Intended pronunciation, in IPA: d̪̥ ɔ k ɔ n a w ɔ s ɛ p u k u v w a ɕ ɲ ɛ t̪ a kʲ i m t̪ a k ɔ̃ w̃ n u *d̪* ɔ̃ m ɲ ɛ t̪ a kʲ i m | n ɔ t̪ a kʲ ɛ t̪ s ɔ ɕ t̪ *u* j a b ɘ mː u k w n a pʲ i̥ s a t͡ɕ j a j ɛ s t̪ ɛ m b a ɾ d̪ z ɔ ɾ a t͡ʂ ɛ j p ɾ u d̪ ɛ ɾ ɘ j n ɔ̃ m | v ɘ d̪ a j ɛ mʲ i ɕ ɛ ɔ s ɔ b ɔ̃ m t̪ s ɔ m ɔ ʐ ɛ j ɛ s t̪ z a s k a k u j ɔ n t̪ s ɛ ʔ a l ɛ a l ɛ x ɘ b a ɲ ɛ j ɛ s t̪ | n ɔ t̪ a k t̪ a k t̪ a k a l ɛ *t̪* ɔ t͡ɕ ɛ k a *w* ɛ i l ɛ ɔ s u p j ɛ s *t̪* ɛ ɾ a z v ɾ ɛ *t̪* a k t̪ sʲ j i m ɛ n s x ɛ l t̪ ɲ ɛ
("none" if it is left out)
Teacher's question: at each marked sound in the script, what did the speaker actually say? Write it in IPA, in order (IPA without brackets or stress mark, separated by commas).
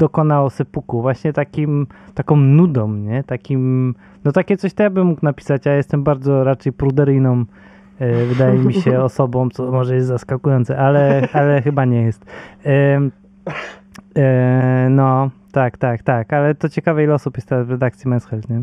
d̪, ɔ, t̪, v, t̪, d̪